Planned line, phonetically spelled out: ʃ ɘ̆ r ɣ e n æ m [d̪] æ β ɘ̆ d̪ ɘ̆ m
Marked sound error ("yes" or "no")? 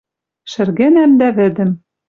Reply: no